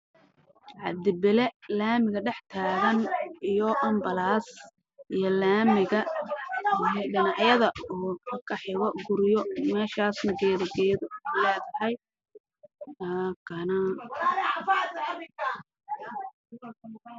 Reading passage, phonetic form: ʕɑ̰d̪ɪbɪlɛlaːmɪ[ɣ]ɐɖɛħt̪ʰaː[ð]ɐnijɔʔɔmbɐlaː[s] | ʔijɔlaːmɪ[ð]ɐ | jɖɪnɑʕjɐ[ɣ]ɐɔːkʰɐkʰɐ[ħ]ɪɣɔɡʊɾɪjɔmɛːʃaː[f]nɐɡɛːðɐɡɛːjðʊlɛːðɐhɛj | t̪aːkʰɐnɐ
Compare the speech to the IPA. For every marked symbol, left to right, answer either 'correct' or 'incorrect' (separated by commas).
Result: correct, incorrect, correct, incorrect, incorrect, correct, incorrect